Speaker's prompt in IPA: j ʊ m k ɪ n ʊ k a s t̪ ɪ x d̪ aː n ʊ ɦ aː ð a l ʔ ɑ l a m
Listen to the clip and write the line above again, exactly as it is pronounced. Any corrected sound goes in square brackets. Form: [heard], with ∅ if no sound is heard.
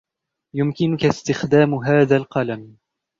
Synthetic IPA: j ʊ m k ɪ n ʊ k a s t̪ ɪ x d̪ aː [m] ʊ ɦ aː ð a l [q] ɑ l a m